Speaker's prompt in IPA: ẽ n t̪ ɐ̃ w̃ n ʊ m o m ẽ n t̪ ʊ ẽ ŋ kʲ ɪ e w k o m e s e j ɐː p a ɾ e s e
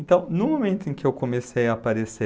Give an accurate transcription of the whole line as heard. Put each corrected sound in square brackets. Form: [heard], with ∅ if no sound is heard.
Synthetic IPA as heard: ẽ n t̪ ɐ̃ w̃ n ʊ m o m ẽ n t̪ ʊ ẽ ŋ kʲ ɪ e w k o m e s e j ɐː p a ɾ e s e